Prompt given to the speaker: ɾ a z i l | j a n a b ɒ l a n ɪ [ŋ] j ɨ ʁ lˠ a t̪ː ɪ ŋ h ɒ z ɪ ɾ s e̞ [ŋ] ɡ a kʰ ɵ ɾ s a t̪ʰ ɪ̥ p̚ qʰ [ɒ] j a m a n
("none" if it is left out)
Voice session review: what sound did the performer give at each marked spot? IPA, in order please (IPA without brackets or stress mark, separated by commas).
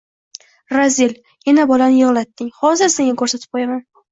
none, ŋ, o